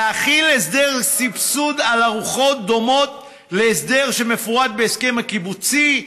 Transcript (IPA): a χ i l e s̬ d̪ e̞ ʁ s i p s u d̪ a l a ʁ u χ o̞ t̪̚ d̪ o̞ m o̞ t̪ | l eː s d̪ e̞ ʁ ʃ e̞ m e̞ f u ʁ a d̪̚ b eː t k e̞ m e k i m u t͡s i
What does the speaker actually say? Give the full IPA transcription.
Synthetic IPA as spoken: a χ i l e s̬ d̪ e̞ ʁ s i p s u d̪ a l a ʁ u χ o̞ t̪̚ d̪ o̞ m o̞ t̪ | l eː s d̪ e̞ ʁ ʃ e̞ m e̞ f u ʁ a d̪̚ b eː s k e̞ m a k i b u t͡s i